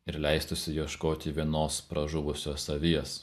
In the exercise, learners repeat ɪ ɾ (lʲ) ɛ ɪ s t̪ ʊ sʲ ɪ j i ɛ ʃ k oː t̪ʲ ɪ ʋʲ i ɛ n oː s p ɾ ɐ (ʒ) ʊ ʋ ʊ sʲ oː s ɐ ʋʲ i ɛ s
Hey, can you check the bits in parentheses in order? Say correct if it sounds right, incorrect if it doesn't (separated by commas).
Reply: correct, correct